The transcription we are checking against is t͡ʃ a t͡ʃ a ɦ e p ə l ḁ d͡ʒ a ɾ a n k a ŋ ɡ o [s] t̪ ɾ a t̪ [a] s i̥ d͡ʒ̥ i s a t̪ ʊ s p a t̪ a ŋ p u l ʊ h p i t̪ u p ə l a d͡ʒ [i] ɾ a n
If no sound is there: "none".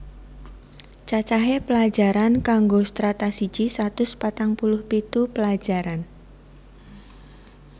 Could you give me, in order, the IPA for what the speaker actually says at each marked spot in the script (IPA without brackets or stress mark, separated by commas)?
s, a, a